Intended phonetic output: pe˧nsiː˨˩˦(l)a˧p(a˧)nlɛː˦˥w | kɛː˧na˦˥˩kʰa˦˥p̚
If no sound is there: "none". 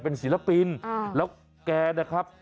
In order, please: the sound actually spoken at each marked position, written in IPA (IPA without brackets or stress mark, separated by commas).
l, i˧